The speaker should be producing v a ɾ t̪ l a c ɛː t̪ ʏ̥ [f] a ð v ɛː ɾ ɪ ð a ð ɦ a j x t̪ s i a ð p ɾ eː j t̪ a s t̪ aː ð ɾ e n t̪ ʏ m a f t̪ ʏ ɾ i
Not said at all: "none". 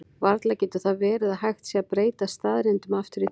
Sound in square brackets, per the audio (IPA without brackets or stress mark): θ